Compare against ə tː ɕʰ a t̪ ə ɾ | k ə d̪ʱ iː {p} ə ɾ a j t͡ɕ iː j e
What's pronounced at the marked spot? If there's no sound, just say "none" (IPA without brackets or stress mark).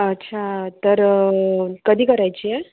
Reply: k